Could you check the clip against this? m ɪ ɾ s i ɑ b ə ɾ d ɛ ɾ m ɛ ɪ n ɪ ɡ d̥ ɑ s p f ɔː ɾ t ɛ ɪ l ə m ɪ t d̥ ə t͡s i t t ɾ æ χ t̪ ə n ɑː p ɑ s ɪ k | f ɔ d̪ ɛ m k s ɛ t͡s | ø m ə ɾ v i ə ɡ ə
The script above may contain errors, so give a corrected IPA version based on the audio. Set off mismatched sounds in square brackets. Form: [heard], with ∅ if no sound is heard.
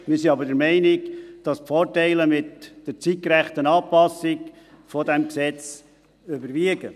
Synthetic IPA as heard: m ɪ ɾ s i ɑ b ə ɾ d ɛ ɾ m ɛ ɪ n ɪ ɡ d̥ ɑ s p f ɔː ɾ t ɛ ɪ l ə m ɪ t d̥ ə t͡s i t [k] ɾ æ χ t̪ ə n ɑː p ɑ s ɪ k | f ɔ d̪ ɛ m k s ɛ t͡s | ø [b] ə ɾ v i ə ɡ ə